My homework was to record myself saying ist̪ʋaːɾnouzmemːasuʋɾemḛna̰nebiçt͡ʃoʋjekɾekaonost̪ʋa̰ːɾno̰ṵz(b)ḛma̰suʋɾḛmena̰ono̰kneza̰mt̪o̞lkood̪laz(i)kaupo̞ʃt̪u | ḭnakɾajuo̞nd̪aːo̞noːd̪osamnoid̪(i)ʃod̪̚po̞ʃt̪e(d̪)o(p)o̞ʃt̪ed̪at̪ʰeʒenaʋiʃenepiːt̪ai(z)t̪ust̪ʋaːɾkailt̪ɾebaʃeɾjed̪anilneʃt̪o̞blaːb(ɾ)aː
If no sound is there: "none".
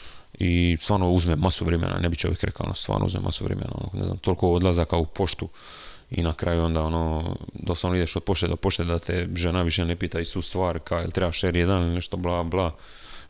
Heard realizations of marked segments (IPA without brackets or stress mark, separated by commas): m, a, e, d̪, p, s, l